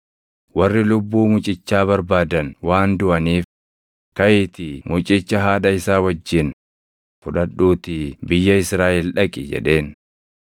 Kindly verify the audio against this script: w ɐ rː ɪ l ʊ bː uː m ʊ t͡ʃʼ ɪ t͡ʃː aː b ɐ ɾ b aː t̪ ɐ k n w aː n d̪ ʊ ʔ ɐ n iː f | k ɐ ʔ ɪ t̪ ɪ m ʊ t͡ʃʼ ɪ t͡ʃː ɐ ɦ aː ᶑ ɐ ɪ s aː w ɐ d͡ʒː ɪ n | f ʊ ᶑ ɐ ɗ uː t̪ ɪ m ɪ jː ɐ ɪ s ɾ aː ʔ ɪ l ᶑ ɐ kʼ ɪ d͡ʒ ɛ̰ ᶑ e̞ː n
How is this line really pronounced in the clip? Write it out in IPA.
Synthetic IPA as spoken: w ɐ rː ɪ l ʊ bː uː m ʊ t͡ʃʼ ɪ t͡ʃː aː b ɐ ɾ b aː d̪ ɐ n w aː n d̪ ʊ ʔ ɐ n iː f | k ɐ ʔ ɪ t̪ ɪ m ʊ t͡ʃʼ ɪ t͡ʃː ɐ ɦ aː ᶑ ɐ ɪ s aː w ɐ d͡ʒː ɪ n | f ʊ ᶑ ɐ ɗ uː t̪ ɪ b ɪ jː ɐ ɪ s ɾ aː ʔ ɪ l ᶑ ɐ kʼ ɪ d͡ʒ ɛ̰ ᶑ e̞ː n